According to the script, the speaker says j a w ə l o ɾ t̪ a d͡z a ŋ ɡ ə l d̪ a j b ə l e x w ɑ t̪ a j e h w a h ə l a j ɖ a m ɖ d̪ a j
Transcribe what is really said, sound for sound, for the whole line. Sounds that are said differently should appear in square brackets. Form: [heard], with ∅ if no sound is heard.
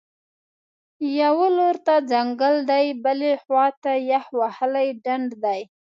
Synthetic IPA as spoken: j a w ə l o ɾ t̪ a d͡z a ŋ ɡ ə l d̪ a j b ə l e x w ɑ t̪ a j [a] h w a h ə l a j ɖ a [ɳ] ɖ d̪ a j